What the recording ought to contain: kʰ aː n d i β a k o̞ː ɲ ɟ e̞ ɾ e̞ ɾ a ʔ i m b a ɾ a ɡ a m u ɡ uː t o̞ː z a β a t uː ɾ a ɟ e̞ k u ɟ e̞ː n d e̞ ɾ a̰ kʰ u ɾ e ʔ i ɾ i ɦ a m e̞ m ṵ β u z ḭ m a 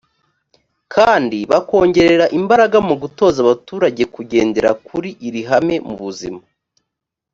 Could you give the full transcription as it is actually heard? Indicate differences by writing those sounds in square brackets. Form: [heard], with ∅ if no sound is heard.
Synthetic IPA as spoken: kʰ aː n d i β a k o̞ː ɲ ɟ e̞ ɾ e̞ ɾ a ʔ i m b a ɾ a ɡ a m u ɡ [u] t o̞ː z a β a t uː ɾ a ɟ e̞ k u ɟ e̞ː n d e̞ ɾ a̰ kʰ u ɾ [i] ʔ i ɾ i ɦ a m e̞ m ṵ β u z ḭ m a